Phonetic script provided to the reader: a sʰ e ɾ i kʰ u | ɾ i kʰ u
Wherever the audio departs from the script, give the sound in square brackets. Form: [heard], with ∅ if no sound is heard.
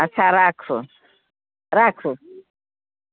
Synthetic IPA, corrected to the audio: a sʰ [a] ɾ [a] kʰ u | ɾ [a] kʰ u